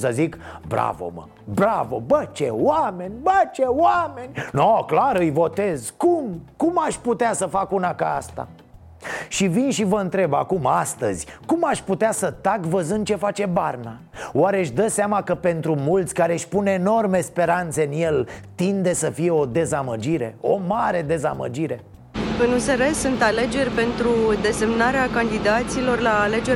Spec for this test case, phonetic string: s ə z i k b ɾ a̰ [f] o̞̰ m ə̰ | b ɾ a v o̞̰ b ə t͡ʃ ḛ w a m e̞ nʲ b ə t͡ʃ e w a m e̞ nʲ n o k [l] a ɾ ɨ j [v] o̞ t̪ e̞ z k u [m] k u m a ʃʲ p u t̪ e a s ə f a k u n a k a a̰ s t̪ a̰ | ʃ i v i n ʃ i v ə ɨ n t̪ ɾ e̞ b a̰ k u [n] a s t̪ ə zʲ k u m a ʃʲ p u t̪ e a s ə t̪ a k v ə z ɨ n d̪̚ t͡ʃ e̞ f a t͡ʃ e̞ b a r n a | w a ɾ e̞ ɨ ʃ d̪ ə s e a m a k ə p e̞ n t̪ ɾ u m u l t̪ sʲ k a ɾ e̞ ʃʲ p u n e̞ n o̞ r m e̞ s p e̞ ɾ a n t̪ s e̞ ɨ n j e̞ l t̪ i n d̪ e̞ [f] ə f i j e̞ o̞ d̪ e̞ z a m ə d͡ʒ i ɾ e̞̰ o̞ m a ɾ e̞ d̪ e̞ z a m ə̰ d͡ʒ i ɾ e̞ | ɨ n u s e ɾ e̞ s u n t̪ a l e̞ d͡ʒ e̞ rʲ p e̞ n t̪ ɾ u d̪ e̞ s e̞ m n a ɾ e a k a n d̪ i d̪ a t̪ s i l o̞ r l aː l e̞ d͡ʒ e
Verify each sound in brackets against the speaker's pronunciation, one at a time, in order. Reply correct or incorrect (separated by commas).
incorrect, correct, correct, correct, incorrect, incorrect